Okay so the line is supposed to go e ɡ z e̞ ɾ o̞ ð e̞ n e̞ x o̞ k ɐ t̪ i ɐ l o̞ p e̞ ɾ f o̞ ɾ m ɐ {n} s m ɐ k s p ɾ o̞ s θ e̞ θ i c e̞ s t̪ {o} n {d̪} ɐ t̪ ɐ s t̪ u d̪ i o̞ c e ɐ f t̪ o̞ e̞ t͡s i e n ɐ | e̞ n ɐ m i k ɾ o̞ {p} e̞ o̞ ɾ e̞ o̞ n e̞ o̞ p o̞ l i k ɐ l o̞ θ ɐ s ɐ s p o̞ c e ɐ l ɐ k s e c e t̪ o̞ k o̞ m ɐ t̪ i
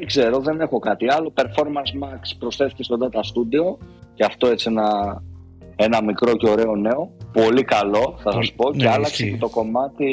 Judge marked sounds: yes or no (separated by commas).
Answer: yes, yes, yes, no